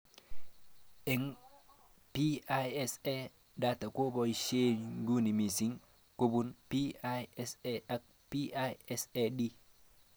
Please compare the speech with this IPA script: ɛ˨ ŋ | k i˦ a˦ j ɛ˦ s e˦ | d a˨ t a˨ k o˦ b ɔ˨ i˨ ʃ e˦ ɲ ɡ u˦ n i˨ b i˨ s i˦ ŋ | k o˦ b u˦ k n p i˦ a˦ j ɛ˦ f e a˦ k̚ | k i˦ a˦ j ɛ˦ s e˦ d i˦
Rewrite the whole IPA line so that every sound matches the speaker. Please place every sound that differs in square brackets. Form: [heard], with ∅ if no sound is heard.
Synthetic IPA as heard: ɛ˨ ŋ | [p] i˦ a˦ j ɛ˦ s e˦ | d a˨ t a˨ k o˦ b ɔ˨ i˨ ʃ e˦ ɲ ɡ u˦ n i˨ [m] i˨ s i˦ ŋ | k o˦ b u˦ [∅] n p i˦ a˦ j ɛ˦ [s] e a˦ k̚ | [p] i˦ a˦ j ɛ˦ s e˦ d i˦

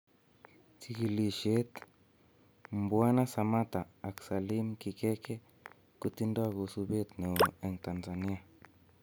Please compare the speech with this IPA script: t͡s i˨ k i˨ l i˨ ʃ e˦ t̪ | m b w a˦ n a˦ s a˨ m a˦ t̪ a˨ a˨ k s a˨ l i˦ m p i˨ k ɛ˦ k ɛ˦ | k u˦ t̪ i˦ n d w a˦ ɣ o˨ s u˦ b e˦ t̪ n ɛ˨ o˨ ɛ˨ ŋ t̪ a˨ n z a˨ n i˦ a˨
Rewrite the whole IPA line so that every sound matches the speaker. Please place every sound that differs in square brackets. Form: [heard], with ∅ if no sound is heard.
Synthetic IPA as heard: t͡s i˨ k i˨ l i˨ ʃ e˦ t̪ | m b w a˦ n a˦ s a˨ m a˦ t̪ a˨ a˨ k s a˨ l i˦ m [k] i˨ k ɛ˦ k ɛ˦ | k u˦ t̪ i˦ n d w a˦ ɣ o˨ s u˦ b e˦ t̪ n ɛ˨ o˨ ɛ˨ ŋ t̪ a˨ n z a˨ n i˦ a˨

